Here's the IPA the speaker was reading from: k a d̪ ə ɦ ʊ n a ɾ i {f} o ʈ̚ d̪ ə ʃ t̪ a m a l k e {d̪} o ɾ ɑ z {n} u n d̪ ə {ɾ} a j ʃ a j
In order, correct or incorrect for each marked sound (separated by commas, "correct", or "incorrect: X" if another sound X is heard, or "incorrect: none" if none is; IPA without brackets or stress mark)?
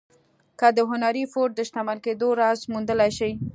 correct, correct, incorrect: m, incorrect: l